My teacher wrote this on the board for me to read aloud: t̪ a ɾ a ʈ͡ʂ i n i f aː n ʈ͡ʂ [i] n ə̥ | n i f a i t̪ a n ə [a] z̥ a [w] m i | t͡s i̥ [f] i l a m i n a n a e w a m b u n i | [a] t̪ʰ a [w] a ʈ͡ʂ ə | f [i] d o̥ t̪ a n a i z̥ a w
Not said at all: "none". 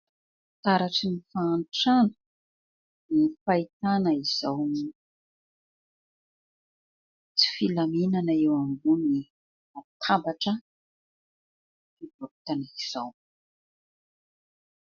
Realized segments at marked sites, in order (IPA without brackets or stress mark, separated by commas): a, i, w, f, a, b, i